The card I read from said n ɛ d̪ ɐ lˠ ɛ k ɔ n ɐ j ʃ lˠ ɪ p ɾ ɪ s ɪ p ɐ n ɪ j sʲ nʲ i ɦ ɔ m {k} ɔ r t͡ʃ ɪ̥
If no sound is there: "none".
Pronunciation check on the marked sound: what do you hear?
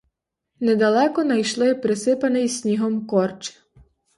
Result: k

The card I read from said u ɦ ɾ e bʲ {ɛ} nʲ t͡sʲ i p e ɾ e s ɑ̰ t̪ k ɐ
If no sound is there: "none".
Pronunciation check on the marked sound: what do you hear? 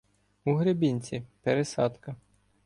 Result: i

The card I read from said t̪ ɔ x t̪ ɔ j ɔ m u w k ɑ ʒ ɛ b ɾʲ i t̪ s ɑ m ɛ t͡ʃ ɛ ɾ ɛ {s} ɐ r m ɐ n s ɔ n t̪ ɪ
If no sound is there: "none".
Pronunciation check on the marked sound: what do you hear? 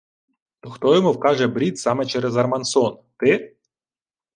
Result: z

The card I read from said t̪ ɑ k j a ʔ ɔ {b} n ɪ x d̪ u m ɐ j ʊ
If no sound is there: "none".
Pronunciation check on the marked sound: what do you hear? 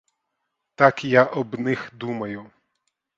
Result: b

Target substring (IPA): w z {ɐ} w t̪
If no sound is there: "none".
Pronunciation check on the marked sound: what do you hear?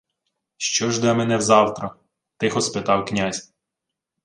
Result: ɑ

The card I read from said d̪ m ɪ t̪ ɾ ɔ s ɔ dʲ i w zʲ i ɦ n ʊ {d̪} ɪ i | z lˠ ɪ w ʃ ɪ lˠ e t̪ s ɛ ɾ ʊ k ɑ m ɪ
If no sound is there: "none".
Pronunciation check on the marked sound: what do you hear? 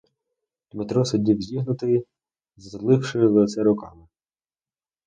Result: t̪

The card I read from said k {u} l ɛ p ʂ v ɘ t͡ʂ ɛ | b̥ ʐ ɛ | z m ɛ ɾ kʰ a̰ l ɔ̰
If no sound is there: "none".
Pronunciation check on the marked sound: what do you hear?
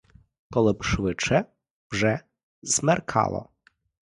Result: ɔ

